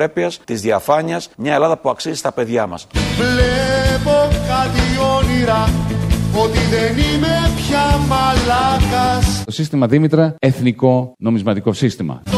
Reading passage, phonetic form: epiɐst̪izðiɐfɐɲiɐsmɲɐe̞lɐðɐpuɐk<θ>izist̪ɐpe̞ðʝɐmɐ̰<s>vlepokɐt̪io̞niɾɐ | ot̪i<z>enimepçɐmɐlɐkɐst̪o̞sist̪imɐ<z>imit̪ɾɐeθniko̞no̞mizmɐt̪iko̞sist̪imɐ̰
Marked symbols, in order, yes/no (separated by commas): no, yes, no, no